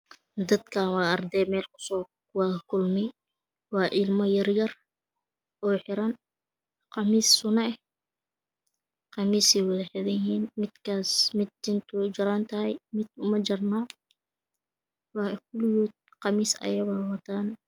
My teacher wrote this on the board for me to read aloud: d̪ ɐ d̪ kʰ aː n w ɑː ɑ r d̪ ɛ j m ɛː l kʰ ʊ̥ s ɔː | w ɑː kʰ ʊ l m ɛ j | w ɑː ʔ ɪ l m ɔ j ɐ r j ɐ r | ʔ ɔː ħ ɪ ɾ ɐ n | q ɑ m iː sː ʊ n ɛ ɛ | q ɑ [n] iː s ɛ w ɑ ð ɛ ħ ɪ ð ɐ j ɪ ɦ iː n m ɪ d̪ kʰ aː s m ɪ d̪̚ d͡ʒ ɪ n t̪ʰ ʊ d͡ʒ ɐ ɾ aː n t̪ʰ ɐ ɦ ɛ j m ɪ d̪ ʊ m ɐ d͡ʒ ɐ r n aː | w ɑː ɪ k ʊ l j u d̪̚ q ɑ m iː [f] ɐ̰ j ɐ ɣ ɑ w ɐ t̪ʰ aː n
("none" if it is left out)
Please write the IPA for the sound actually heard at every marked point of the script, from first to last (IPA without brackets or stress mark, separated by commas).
m, s